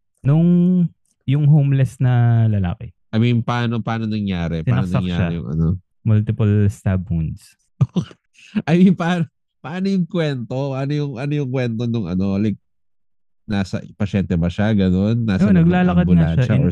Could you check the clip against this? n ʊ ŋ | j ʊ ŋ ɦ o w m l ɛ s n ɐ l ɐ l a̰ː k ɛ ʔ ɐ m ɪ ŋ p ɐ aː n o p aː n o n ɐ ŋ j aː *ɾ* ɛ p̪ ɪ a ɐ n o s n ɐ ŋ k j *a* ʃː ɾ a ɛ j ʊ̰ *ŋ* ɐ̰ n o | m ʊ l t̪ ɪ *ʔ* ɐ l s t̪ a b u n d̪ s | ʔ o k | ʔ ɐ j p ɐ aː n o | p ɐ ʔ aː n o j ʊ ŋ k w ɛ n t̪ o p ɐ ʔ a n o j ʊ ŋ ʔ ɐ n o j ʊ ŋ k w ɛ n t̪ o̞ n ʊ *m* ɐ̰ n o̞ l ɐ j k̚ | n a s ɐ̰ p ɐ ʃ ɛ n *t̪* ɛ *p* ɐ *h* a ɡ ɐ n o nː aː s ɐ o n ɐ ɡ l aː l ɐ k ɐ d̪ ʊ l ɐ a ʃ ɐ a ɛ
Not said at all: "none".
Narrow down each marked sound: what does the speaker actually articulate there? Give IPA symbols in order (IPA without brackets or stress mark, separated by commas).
ɾ, a, ŋ, p, ŋ, t̪, b, ʃ